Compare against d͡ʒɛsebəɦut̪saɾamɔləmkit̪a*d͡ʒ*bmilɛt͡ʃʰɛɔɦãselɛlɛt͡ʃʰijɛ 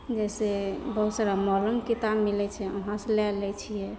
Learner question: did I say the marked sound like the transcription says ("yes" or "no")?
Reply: no